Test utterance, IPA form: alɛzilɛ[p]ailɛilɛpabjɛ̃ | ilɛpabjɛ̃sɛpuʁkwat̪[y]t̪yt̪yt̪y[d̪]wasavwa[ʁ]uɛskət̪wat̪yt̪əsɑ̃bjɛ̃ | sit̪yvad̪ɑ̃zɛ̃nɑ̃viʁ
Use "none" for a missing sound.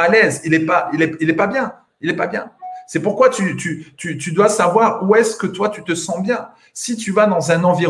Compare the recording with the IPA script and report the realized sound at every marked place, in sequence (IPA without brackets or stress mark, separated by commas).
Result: p, y, d̪, ʁ